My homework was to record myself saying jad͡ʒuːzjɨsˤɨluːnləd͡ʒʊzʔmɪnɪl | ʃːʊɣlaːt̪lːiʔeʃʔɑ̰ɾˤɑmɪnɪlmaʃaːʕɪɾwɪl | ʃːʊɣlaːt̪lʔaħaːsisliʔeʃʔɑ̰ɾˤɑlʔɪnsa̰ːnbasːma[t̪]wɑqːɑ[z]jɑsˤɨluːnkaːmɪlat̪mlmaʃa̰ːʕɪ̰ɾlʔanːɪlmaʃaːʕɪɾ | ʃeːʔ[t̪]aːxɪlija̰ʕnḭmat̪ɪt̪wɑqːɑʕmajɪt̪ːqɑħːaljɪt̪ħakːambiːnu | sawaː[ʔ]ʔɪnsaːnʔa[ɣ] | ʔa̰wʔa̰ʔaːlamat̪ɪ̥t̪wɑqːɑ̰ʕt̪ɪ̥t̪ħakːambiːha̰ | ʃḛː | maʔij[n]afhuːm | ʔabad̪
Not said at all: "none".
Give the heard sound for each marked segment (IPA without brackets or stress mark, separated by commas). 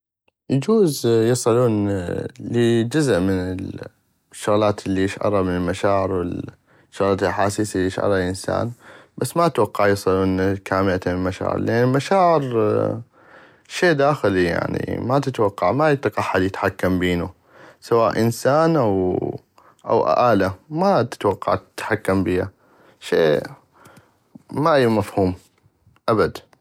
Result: t̪, ʕ, d̪, ʔ, w, m